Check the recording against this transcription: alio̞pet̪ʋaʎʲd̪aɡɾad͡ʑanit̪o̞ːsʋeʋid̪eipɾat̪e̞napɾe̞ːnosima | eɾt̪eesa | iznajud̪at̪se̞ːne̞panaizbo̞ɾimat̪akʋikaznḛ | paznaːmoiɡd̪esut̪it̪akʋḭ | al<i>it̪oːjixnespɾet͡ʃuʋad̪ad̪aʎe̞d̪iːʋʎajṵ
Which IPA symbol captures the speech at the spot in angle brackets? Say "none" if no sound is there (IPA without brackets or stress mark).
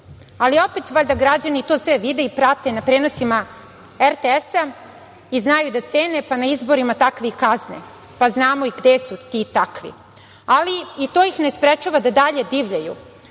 i